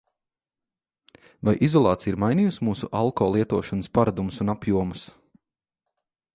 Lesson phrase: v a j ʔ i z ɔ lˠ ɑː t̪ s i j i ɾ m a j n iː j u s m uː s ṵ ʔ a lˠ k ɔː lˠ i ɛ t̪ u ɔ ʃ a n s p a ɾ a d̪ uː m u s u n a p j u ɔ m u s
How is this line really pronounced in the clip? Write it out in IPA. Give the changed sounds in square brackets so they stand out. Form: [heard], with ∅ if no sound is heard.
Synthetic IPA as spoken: v a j ʔ i z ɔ lˠ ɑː t̪ s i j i ɾ m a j n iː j u s m uː s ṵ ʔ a lˠ k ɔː lˠ i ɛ t̪ u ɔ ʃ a n s p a ɾ a d̪ [u] m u s u n a p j u ɔ m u s